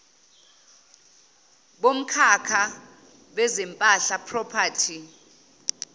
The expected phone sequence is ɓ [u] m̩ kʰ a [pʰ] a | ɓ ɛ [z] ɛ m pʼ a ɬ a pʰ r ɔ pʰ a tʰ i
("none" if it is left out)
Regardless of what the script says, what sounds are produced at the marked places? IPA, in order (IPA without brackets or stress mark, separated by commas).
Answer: o, kʰ, z